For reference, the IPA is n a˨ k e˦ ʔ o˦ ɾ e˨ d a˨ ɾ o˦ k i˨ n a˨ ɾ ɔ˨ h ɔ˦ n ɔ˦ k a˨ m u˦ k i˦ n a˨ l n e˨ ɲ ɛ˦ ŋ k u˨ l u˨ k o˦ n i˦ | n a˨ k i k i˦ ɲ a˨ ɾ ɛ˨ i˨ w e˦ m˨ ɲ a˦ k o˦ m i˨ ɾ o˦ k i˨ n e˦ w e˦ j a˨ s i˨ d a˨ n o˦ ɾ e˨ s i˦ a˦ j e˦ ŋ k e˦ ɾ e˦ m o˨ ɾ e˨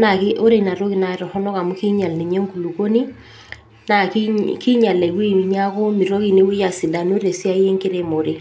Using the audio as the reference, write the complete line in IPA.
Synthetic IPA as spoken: n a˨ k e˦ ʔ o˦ ɾ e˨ n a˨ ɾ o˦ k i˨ n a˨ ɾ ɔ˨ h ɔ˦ n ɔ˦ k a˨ m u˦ k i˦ ɲ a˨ l n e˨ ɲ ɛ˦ ŋ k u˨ l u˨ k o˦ n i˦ | n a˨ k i k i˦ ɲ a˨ l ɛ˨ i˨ w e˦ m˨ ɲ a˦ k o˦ m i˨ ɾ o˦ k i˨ n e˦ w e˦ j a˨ s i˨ d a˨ n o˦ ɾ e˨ s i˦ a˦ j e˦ ŋ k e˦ ɾ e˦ m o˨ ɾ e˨